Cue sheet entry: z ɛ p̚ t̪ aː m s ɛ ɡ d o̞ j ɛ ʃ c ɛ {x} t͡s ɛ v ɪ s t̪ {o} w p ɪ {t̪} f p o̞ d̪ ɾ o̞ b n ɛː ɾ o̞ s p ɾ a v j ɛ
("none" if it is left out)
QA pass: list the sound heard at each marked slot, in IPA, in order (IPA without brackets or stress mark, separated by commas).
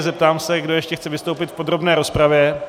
x, o, t̪